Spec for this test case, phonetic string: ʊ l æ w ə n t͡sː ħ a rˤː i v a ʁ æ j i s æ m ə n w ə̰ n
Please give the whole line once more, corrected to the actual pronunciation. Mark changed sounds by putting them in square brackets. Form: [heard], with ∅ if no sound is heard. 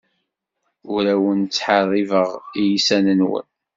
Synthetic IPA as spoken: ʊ [ɾ] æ w ə n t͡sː ħ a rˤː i v [ə] ʁ [i] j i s æ [n] ə n w ə̰ n